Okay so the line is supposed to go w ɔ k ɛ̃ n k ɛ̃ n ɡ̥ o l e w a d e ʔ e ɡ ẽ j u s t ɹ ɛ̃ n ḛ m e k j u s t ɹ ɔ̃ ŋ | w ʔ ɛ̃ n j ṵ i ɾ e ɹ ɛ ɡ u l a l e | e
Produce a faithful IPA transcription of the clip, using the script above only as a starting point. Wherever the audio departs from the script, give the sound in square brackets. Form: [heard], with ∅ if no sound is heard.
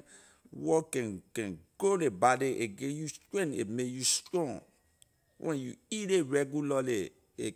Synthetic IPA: w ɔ k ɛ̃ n k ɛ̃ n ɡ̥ o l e [b] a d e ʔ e ɡ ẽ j u s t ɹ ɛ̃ n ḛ m e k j u s t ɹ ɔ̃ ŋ | w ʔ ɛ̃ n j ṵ i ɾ e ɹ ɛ ɡ u l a l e | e